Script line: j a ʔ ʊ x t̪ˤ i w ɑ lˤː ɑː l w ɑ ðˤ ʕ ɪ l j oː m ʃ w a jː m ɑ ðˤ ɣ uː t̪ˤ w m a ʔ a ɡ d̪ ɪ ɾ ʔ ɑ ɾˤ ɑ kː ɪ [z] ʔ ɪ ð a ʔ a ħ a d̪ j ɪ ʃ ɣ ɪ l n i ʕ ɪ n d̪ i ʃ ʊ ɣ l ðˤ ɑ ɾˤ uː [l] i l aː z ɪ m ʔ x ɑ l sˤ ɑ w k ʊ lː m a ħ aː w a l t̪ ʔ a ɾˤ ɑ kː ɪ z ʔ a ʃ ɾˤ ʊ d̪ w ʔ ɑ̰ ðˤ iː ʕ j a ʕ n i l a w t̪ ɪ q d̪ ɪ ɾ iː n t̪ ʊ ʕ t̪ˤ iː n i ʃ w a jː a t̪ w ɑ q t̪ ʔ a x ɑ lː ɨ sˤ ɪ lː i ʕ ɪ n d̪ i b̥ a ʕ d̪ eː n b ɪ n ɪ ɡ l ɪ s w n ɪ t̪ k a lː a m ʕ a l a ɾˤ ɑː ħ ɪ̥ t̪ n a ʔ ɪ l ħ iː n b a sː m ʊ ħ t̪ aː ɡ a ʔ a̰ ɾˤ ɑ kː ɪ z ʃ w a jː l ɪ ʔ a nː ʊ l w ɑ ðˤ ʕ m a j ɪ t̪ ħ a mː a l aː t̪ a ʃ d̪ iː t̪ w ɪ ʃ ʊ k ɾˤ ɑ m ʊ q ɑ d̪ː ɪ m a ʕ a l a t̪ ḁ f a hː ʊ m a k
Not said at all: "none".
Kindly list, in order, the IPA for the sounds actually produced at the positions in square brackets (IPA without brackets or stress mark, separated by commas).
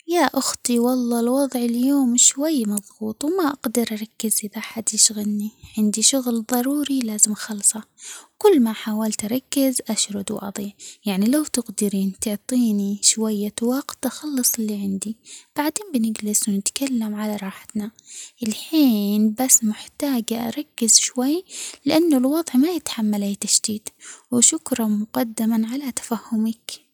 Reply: z, ɾ